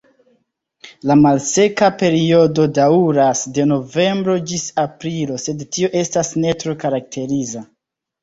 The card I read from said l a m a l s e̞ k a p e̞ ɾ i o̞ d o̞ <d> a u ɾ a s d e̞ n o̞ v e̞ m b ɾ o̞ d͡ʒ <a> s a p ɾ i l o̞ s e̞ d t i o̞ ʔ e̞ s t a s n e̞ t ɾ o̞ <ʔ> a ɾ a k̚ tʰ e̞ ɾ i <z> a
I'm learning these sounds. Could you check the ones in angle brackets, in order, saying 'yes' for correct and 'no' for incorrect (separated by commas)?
yes, no, no, yes